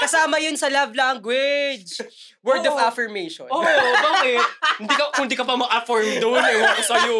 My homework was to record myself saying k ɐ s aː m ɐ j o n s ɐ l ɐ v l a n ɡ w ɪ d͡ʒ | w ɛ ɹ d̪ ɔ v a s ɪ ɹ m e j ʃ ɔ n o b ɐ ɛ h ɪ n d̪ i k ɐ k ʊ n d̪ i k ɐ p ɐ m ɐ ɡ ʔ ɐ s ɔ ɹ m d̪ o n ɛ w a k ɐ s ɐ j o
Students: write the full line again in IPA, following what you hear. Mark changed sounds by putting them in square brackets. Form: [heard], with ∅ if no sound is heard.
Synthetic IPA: k ɐ s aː m ɐ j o n s ɐ l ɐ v l a [ŋ] ɡ w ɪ d͡ʒ | w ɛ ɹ d̪ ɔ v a [f] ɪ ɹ m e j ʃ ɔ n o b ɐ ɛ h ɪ n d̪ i k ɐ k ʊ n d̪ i k ɐ p ɐ m ɐ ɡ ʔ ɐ [f] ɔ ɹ m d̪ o n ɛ w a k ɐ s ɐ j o